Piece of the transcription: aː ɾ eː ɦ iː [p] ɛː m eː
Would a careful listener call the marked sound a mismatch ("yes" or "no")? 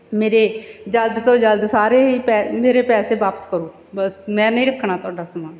no